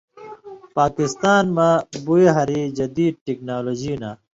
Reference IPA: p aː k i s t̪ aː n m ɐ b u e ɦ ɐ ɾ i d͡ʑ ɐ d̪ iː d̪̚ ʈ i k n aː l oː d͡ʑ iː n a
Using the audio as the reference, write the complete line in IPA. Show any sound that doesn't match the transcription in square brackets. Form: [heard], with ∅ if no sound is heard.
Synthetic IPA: p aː k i s t̪ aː n m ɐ b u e ɦ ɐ ɾ i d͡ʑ ɐ d̪ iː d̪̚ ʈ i k n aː l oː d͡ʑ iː n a